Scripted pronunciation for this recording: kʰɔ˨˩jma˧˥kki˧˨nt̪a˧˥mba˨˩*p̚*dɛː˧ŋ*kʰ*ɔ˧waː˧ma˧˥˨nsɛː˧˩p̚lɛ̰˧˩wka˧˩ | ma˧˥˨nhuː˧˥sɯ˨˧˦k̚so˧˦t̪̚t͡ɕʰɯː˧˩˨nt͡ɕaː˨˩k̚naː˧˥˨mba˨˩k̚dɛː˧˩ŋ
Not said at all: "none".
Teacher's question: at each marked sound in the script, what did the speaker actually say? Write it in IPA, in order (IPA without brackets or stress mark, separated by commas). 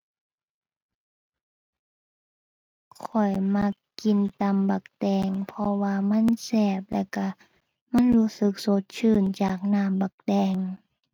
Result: k̚, pʰ